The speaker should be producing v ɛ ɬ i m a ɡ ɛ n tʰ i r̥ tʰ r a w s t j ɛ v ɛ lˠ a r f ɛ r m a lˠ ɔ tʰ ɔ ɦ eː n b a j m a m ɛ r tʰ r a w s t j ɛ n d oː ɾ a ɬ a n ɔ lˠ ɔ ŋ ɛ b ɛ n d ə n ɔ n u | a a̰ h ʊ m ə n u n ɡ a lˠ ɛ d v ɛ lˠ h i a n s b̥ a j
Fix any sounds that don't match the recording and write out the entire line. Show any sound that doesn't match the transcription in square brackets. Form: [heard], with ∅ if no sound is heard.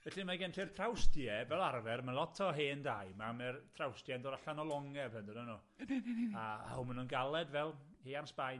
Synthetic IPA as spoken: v ɛ ɬ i m a ɡ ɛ n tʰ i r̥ tʰ r a w s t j ɛ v ɛ lˠ a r [v] ɛ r m a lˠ ɔ tʰ ɔ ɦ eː n [d] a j m a m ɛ r tʰ r a w s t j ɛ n d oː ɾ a ɬ a n ɔ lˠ ɔ ŋ ɛ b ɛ n d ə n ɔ n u | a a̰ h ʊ m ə n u n ɡ a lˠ ɛ d v ɛ lˠ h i a n s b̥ a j